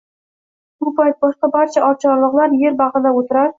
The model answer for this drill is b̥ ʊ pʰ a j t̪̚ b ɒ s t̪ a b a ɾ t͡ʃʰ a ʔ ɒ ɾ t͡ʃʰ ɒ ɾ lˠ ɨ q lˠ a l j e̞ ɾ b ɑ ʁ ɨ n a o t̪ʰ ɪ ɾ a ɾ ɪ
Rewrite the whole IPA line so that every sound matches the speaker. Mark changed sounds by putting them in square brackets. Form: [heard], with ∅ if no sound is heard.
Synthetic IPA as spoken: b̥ ʊ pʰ a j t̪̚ b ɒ [ʃ] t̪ a b a ɾ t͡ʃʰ a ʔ ɒ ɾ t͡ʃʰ ɒ ɾ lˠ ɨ q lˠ a [ɾ] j e̞ ɾ b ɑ ʁ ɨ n a o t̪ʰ ɪ ɾ a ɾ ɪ